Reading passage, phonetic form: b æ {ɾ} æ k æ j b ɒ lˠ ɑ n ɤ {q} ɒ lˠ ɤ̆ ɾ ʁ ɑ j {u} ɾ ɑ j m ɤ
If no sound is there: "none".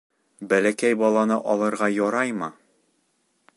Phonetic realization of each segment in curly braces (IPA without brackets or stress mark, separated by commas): l, ʔ, ɒ